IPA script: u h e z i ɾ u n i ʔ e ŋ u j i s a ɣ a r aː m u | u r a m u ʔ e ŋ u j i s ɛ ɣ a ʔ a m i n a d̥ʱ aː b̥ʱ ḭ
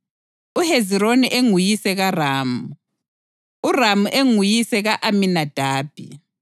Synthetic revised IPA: u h e z i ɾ o n i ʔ e ŋ u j i s ɛ ɣ a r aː m u | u r a m u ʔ e ŋ u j i s ɛ ɣ a ʔ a m i n a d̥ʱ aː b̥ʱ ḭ